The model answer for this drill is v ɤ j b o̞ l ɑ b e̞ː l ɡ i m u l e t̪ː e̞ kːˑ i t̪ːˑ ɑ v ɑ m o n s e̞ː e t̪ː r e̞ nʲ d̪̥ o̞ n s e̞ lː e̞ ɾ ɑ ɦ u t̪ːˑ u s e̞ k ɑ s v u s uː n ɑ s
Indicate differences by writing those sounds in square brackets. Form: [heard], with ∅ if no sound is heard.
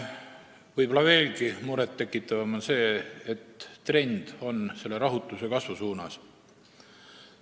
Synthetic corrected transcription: v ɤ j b o̞ l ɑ [v] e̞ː l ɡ i m u [ɾ] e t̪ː e̞ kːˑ i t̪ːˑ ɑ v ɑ m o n s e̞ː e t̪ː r e̞ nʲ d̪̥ o̞ n s e̞ lː e̞ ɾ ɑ ɦ u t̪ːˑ u s e̞ k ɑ s v u s uː n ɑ s

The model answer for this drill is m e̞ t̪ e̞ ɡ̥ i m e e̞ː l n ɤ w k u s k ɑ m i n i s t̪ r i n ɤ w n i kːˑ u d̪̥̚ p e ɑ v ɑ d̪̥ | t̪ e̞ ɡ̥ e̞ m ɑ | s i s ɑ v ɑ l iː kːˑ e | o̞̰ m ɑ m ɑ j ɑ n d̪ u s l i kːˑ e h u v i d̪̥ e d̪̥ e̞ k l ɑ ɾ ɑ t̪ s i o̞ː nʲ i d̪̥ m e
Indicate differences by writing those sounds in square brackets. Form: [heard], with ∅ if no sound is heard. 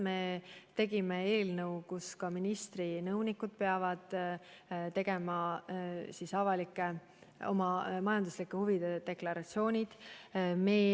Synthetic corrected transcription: m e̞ t̪ e̞ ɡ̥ i m e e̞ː l n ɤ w k u s k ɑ m i n i s t̪ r i n ɤ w n i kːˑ u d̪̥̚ p e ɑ v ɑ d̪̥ | t̪ e̞ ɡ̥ e̞ m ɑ | s i s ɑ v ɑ l [i] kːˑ e | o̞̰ m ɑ m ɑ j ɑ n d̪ u s l i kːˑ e h u v i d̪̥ e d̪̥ e̞ k l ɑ ɾ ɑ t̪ s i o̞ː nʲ i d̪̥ m e

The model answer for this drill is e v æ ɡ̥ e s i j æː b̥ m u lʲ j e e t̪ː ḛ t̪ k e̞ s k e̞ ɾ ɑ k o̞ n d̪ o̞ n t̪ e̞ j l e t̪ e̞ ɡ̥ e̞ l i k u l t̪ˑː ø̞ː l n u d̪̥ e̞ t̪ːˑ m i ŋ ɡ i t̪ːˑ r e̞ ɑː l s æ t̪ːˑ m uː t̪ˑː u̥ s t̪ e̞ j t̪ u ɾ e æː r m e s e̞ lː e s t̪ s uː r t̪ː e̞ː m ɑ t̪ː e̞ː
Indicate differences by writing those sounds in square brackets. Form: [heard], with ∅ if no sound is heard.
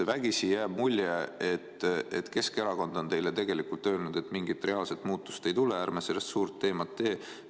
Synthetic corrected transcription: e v æ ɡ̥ [i] s i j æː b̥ m u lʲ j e e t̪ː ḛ t̪ k e̞ s k e̞ ɾ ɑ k o̞ n d̪ o̞ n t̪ e̞ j l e t̪ e̞ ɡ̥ e̞ l i k u l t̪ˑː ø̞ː l n u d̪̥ e̞ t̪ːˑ m i ŋ ɡ i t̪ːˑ r e̞ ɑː l s [e] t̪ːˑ m uː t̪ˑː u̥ s t̪ e̞ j t̪ u [l] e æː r m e s e̞ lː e s t̪ s uː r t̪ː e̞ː m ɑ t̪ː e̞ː

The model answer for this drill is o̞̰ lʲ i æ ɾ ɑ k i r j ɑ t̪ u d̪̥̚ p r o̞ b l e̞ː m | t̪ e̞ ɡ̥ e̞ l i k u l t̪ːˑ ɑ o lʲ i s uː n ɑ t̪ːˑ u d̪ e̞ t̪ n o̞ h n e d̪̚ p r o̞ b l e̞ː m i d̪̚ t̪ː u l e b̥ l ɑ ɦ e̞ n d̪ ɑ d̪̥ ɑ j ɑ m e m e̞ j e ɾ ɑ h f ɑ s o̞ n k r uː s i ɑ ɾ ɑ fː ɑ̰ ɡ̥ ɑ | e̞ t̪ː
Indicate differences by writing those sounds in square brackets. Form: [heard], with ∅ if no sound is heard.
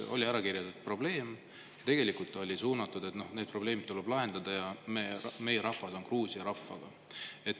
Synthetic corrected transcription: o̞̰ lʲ i æ ɾ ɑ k i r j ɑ t̪ u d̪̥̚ p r o̞ b l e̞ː m | t̪ e̞ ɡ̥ e̞ l i k u l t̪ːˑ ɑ o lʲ i s uː n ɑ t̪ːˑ u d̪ e̞ t̪ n o̞ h n e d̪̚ p r o̞ b l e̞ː m i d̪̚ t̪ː u l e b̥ l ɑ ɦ e̞ n d̪ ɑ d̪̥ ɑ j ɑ m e m e̞ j e ɾ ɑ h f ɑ s o̞ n k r uː s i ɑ ɾ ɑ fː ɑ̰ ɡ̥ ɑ | e̞ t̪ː

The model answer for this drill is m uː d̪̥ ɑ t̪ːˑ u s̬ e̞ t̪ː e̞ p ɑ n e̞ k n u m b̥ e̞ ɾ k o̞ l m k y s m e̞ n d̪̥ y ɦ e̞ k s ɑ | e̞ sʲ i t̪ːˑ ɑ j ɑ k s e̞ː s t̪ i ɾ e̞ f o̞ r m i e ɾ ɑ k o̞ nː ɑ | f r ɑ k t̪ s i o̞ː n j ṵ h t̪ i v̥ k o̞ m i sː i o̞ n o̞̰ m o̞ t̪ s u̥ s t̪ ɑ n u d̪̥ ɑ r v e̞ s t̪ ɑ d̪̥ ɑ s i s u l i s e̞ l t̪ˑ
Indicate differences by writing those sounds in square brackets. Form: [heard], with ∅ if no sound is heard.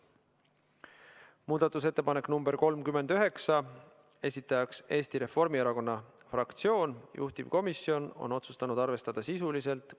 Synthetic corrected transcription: m uː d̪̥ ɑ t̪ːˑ u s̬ e̞ t̪ː e̞ p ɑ n e̞ k n u m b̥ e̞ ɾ k o̞ l m k y [∅] m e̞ n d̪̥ y ɦ e̞ k s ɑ | e̞ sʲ i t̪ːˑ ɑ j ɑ k s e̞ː s t̪ i ɾ e̞ f o̞ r m i e ɾ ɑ k o̞ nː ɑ | f r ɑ k t̪ s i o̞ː n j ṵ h t̪ i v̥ k o̞ m i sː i o̞ n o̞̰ [n] o̞ t̪ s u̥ s t̪ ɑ n u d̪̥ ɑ r v e̞ s t̪ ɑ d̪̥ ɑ s i s u l i s e̞ l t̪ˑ

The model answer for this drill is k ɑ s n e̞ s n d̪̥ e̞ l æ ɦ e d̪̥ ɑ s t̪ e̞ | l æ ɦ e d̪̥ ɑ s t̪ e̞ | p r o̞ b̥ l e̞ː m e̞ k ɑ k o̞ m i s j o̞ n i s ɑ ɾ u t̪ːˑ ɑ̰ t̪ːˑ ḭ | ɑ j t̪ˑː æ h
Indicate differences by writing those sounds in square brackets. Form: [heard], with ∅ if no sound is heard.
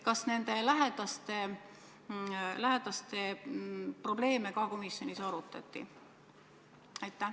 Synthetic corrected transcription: k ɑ s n e̞ [∅] n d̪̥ e̞ l æ ɦ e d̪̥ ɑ s t̪ e̞ | l æ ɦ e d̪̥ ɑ s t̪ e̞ | p r o̞ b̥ l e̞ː m e̞ k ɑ k o̞ m i s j o̞ n i s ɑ ɾ u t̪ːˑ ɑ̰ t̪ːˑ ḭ | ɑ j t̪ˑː æ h

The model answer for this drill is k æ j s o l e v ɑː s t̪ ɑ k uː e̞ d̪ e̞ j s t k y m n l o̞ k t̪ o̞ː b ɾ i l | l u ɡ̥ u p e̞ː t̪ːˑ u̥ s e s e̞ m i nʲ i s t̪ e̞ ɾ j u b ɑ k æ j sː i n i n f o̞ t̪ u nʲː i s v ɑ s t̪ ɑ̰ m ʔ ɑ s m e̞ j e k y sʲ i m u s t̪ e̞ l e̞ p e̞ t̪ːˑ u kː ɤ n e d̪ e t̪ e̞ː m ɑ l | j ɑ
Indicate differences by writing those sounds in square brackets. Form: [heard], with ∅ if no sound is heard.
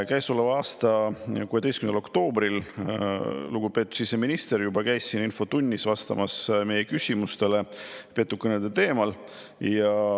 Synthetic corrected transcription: k æ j s o l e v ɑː s t̪ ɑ k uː e̞ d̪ e̞ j s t k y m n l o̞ k t̪ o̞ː b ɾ i l | l u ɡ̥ u p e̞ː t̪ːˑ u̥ s [i] s e̞ m i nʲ i s t̪ e̞ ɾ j u b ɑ k æ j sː i n i n f o̞ t̪ u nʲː i s v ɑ s t̪ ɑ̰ m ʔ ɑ s m e̞ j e k y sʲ i m u s t̪ e̞ l e̞ p e̞ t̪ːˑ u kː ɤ n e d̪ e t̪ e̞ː m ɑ l | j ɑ

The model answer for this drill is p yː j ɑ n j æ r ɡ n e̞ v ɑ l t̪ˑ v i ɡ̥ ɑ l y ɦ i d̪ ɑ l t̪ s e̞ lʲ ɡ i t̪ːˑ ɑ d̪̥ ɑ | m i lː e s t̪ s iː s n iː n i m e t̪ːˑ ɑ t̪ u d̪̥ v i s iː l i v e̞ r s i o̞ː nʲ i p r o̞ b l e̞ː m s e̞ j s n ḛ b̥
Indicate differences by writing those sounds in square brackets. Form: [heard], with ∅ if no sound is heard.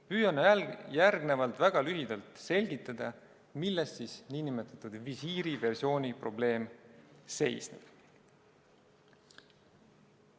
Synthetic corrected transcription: p yː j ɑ n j æ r ɡ n e̞ v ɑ l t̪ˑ v [æ] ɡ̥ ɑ l y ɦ i d̪ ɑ l t̪ s e̞ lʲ ɡ i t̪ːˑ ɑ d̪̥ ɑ | m i lː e s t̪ s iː s n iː n i m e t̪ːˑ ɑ t̪ u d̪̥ v i s iː [ɾ] i v e̞ r s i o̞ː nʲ i p r o̞ b l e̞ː m s e̞ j s n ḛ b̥

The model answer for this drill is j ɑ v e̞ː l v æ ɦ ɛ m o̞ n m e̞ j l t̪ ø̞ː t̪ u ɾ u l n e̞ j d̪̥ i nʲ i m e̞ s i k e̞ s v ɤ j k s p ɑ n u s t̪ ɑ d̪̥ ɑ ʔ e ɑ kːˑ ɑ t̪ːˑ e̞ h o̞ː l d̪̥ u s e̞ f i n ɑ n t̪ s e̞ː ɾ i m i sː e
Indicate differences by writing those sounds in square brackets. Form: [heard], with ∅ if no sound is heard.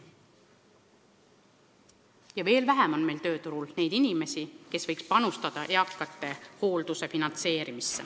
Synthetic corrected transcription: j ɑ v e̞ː l v æ ɦ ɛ m o̞ n m e̞ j l t̪ ø̞ː t̪ u ɾ u l n e̞ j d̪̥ i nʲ i m e̞ s i k e̞ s v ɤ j k s p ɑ n u s t̪ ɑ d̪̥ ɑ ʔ e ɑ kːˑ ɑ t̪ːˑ e̞ h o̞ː l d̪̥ u s e̞ f i n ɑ n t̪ s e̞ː ɾ i m i sː e

